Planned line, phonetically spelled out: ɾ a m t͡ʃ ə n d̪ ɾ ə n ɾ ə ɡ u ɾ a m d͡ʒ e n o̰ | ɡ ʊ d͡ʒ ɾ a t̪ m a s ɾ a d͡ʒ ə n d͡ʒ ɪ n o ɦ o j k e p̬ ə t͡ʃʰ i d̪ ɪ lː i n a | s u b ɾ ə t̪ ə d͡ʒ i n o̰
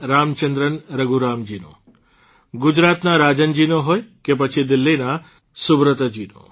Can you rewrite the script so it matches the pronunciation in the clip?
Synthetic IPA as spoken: ɾ a m t͡ʃ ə n d̪ ɾ ə n ɾ ə ɡ u ɾ a m d͡ʒ i n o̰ | ɡ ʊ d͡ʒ ɾ a t̪ n a ɾ a d͡ʒ ə n d͡ʒ i n o ɦ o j k e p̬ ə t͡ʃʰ i d̪ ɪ lː i n a | s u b ɾ ə t̪ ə d͡ʒ i n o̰